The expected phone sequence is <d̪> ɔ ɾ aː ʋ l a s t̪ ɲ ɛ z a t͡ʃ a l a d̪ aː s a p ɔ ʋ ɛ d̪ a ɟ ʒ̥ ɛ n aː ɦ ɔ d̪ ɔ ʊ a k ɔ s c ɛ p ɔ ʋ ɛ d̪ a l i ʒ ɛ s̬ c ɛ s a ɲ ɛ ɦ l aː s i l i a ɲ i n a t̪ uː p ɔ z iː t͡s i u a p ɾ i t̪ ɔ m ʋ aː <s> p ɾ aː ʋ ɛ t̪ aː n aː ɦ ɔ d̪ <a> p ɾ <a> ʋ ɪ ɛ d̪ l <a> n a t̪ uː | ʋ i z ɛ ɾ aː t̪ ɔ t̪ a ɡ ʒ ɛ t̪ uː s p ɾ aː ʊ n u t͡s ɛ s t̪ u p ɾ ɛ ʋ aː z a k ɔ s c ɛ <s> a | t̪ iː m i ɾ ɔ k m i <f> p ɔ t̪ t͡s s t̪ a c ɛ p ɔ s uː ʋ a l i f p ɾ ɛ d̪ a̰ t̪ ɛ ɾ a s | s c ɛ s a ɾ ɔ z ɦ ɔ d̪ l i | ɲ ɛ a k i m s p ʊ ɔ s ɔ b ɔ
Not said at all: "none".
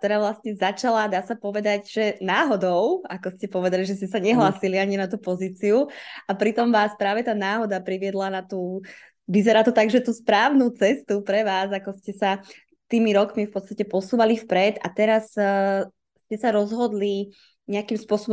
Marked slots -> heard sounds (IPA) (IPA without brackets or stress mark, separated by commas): t̪, s, a, i, a, s, f